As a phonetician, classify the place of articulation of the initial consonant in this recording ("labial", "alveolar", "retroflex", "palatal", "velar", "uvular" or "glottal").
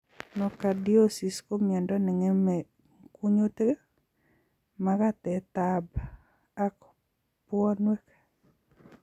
alveolar